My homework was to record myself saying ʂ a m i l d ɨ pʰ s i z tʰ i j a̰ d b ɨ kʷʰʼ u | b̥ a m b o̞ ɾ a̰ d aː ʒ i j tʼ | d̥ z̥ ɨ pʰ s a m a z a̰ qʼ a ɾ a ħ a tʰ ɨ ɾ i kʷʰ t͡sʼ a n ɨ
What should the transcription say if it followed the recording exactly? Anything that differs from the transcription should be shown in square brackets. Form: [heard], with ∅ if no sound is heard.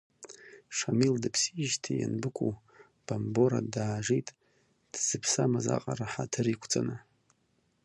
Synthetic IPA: ʂ a m i l d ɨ pʰ s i [ʒ] tʰ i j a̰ [n] b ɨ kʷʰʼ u | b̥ a m b o̞ ɾ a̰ d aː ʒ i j tʼ | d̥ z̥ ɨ pʰ s a m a z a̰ qʼ a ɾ a ħ a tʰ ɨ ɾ i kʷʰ t͡sʼ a n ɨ